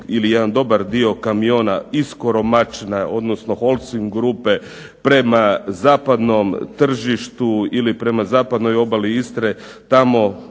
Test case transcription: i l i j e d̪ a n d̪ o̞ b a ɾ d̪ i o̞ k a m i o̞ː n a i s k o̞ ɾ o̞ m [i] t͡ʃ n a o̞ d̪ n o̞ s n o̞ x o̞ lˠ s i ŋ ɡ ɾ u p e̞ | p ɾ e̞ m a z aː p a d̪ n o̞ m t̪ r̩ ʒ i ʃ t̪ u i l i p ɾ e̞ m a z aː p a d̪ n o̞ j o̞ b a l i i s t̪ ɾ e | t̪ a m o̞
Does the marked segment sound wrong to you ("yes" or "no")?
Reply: yes